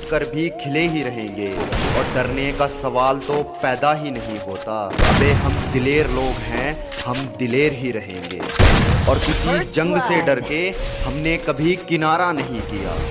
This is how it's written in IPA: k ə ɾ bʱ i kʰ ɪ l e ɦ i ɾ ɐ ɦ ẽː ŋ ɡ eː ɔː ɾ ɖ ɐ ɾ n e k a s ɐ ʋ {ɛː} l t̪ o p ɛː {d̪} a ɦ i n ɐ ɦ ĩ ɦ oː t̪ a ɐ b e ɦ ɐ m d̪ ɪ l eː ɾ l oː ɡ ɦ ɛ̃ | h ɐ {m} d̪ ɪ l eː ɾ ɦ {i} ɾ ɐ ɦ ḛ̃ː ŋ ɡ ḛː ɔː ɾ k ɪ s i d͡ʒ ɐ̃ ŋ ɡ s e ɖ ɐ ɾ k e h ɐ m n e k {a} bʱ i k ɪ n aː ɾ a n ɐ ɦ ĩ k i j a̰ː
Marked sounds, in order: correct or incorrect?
incorrect: aː, correct, correct, correct, incorrect: ɐ

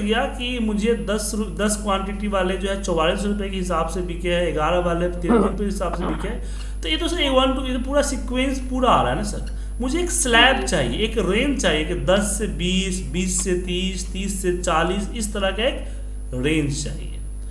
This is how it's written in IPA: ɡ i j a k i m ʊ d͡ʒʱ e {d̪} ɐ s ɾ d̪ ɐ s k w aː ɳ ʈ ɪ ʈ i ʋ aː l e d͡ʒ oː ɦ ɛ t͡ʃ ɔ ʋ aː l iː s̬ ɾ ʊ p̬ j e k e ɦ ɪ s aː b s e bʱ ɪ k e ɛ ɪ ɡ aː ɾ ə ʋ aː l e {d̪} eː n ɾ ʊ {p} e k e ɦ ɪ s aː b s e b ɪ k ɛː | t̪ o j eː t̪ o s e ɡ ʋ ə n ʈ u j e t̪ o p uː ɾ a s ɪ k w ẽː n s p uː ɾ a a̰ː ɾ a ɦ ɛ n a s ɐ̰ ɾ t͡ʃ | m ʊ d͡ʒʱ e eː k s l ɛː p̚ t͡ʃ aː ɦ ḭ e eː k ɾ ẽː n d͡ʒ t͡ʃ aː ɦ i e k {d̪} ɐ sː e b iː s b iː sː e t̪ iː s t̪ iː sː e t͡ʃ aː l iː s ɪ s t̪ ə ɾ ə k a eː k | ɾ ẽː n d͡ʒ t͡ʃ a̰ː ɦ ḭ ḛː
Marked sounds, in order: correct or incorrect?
correct, incorrect: t̪, correct, correct

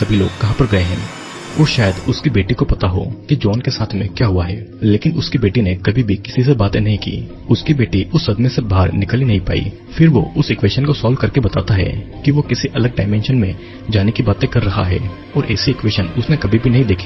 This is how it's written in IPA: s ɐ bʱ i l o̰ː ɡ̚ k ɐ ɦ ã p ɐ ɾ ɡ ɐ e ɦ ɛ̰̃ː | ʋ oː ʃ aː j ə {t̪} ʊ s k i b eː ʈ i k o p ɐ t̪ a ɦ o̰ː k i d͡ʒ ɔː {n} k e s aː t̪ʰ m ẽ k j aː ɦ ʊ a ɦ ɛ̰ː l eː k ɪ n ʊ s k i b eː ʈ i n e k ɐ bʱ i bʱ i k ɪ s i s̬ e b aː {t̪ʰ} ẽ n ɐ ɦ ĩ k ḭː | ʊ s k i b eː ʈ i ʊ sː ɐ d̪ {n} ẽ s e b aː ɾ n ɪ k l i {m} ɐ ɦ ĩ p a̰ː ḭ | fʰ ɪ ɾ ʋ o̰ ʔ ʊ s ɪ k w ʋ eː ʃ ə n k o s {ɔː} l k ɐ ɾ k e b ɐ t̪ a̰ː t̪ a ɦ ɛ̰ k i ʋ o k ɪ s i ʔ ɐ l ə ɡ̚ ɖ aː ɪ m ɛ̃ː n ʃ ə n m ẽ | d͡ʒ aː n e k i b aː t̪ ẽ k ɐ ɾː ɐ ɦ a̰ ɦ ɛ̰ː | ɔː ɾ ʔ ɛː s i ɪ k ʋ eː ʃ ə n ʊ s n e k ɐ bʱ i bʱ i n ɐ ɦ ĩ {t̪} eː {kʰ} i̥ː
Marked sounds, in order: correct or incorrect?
incorrect: d̪, correct, incorrect: t̪, incorrect: m, incorrect: n, correct, incorrect: d̪, correct

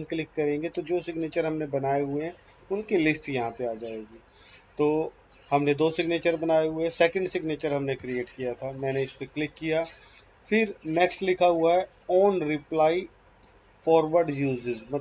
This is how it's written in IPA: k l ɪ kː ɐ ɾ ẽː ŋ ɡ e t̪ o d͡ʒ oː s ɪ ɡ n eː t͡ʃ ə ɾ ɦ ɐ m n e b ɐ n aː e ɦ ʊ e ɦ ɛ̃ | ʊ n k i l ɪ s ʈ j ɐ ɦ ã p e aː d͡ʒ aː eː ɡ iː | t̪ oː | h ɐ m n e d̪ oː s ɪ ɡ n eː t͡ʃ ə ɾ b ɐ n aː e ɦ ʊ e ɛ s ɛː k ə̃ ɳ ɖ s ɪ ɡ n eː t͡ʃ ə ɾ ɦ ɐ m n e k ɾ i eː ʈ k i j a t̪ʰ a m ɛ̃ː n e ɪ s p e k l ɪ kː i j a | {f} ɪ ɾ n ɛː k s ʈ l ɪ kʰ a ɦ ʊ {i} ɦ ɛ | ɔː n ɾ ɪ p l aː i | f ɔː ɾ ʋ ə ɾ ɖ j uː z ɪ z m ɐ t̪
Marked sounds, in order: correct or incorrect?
correct, incorrect: a

